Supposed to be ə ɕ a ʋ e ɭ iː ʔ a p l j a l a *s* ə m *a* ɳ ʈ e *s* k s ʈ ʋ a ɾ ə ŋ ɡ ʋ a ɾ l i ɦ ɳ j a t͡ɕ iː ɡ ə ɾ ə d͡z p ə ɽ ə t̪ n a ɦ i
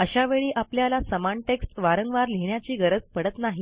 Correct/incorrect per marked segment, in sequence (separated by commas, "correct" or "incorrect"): correct, correct, incorrect